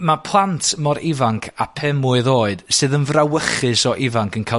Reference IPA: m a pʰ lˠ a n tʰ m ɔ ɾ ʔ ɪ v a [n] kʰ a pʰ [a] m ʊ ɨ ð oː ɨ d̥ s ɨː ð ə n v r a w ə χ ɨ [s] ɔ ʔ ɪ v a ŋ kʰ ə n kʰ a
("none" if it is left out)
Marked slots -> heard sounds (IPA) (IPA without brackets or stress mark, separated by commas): ŋ, ɛ, s